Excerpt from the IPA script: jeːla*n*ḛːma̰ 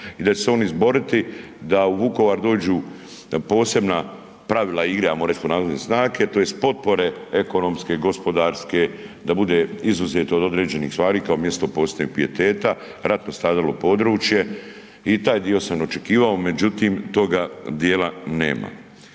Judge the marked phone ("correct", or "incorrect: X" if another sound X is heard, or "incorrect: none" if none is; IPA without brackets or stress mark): correct